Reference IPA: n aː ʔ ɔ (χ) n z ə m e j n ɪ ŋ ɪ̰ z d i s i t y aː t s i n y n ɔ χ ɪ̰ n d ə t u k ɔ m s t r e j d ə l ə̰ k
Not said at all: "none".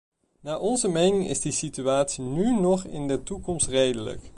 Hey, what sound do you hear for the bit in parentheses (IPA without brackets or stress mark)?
none